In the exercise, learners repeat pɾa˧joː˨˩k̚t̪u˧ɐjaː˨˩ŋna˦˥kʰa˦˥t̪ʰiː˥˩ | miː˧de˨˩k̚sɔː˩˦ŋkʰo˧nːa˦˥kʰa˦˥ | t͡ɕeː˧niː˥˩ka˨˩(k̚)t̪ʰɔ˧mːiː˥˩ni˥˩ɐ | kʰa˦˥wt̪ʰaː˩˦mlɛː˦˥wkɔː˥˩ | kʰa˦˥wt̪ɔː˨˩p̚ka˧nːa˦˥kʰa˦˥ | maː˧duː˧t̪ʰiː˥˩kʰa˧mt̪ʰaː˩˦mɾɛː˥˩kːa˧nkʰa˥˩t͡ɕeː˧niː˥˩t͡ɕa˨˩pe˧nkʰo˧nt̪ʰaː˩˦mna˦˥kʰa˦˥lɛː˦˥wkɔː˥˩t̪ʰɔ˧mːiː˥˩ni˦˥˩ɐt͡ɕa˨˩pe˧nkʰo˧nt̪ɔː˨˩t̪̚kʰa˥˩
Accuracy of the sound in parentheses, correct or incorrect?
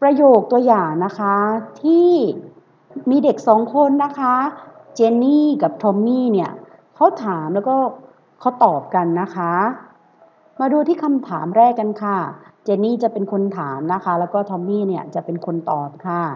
incorrect